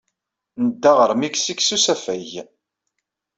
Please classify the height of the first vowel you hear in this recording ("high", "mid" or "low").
mid